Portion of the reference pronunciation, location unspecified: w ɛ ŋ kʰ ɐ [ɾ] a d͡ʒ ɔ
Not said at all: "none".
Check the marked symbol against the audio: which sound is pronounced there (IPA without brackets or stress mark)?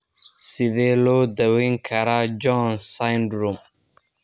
ɾ